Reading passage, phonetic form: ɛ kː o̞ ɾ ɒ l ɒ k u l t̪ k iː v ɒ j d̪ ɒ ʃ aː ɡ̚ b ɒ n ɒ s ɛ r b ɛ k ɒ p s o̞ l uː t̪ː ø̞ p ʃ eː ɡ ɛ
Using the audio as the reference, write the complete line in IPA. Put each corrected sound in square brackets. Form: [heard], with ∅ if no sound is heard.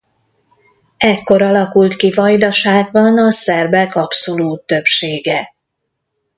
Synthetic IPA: ɛ kː o̞ ɾ ɒ l ɒ k u l t̪ k [i] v ɒ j d̪ ɒ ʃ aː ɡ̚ b ɒ n ɒ s ɛ r b ɛ k ɒ p s o̞ l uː t̪ː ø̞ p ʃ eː ɡ ɛ